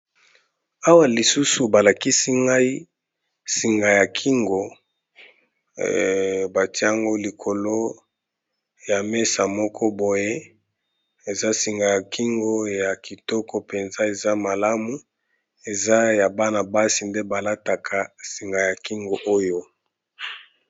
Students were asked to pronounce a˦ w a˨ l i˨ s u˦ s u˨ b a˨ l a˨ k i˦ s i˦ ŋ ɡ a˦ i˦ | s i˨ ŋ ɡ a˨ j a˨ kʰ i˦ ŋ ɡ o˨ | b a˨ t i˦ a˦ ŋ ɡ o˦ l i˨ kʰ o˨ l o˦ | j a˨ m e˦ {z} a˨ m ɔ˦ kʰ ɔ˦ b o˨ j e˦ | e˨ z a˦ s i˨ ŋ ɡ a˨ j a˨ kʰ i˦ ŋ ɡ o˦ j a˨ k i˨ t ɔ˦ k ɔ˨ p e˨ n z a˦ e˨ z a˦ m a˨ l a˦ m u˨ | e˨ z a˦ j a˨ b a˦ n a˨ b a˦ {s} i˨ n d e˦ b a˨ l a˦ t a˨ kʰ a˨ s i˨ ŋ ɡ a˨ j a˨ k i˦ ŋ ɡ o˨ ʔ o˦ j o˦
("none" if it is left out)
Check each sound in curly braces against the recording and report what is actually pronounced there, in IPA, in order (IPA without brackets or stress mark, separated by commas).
s, s